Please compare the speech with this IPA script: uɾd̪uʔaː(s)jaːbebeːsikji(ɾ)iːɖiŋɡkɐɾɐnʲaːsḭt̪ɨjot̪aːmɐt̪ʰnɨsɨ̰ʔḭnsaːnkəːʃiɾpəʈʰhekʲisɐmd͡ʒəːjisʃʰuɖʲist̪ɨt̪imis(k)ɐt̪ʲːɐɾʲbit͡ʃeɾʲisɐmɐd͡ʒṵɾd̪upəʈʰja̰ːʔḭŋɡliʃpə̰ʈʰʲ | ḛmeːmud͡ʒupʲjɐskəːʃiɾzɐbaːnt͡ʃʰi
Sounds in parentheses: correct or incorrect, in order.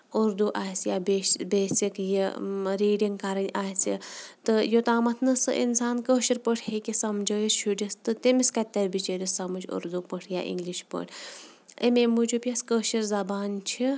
correct, correct, correct

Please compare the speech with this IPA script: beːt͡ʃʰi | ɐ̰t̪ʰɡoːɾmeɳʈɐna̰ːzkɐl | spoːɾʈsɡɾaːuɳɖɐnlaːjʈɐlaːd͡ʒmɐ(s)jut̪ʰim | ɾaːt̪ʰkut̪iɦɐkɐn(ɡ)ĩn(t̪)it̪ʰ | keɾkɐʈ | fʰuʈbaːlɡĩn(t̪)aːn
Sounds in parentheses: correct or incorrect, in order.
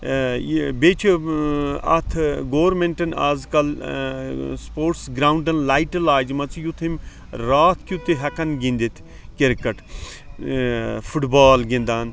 incorrect: t͡s, correct, incorrect: d̪, incorrect: d̪

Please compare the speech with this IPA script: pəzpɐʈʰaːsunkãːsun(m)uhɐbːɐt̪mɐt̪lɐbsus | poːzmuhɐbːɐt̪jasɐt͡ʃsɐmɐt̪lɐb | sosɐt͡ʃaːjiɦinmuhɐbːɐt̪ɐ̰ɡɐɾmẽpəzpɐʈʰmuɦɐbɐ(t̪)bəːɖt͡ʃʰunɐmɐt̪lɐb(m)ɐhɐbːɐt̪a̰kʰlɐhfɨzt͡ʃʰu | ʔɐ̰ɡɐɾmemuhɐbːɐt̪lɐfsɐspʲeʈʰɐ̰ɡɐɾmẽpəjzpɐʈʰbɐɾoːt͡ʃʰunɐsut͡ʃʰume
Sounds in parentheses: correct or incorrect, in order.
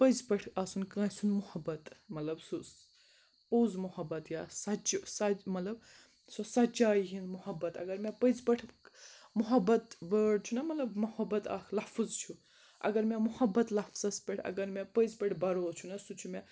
correct, correct, correct

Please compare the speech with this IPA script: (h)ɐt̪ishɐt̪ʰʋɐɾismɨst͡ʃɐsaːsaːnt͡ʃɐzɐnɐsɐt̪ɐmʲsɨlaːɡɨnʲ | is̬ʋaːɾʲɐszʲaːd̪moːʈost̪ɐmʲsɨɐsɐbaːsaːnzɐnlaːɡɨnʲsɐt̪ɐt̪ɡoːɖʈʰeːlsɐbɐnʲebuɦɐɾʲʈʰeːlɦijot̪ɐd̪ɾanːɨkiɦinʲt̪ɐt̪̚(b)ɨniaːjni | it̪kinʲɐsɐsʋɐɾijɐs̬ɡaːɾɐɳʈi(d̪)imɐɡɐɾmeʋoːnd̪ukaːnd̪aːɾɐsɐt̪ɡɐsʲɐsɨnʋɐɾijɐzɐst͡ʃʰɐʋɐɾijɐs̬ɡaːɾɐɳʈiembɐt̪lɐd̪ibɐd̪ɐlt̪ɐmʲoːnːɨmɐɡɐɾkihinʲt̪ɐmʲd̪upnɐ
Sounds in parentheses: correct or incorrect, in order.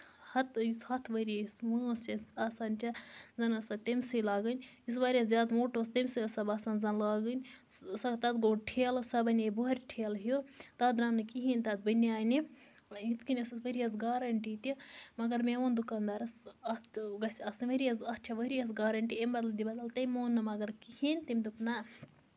correct, correct, incorrect: t̪

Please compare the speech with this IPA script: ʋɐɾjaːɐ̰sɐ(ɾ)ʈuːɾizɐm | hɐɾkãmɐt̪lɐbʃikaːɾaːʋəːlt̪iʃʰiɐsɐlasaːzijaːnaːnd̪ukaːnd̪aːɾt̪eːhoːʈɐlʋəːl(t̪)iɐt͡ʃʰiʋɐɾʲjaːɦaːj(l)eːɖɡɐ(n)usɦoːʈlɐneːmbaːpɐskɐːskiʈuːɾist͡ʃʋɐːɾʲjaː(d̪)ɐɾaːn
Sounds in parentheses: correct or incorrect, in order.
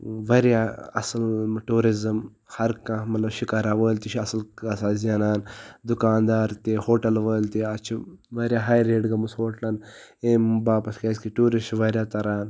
incorrect: l, correct, incorrect: ɾ, incorrect: m, incorrect: t̪

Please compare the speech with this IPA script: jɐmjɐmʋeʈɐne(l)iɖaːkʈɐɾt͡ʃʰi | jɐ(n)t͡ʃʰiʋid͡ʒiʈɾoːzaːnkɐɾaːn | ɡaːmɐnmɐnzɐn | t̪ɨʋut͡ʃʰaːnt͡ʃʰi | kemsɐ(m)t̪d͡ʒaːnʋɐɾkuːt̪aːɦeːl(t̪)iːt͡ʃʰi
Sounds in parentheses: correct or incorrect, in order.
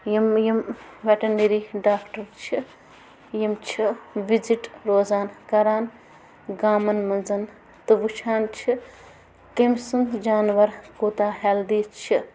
incorrect: ɾ, incorrect: m, incorrect: n, incorrect: d̪

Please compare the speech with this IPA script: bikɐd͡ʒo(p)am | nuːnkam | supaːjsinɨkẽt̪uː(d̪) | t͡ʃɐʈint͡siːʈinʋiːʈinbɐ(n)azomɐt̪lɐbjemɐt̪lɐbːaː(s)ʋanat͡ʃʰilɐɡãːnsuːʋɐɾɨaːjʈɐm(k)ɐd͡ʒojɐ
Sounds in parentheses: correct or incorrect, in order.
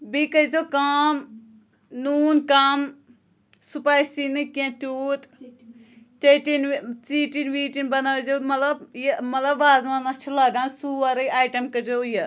incorrect: k, incorrect: t̪, correct, incorrect: z, correct

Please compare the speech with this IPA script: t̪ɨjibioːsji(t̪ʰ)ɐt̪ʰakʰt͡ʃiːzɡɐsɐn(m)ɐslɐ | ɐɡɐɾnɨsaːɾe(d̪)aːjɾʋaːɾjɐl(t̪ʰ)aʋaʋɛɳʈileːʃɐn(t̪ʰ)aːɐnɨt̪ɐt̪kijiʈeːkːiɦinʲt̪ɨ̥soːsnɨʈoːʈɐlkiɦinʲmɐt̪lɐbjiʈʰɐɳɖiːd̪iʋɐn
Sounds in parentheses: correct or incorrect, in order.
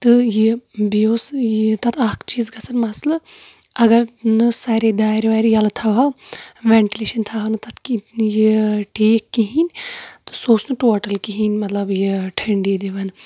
incorrect: t̪, correct, correct, correct, correct

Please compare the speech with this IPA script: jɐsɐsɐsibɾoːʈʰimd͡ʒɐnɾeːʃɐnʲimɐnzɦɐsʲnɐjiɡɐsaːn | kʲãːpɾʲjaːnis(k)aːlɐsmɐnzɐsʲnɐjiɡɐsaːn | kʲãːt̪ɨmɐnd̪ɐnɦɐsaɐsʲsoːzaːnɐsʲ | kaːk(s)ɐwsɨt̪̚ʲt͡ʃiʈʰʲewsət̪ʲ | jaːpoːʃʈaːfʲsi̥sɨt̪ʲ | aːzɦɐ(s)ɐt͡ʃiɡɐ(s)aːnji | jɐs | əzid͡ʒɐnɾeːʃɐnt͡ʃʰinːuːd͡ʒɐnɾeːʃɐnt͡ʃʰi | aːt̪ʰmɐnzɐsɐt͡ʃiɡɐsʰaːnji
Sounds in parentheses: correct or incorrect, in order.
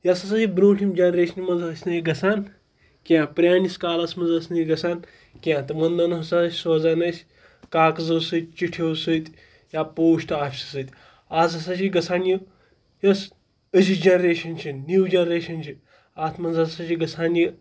correct, incorrect: z, correct, correct

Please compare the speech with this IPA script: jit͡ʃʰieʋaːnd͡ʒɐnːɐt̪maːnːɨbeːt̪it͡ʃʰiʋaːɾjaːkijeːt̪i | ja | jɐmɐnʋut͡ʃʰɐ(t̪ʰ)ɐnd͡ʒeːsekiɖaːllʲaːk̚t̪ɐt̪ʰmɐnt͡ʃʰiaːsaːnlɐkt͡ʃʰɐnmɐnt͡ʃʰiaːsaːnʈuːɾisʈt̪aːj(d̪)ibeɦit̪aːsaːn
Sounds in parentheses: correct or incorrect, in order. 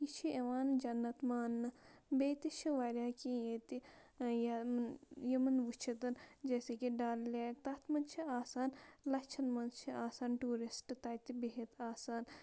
incorrect: t̪, incorrect: t̪

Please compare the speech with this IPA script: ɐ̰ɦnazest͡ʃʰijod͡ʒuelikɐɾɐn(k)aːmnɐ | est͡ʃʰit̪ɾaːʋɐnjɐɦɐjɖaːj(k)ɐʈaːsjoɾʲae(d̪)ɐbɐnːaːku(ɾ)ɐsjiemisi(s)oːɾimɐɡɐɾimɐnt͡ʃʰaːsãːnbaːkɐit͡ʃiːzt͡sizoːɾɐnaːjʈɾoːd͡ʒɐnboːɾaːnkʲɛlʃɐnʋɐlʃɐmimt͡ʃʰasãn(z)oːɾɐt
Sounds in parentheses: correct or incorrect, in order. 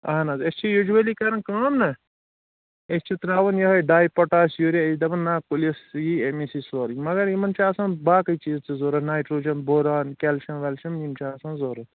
correct, incorrect: p, correct, incorrect: l, correct, correct

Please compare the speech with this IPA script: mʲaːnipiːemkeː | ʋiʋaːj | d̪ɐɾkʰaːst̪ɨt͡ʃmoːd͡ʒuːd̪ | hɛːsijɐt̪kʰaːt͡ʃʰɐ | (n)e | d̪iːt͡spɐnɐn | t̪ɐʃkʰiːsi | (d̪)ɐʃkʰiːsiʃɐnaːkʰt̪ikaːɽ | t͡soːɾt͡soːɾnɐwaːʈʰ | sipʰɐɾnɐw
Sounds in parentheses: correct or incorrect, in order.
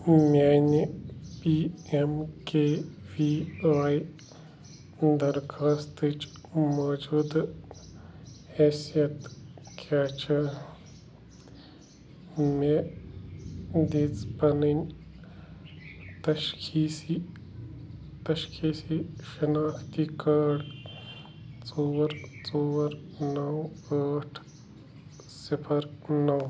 incorrect: m, incorrect: t̪

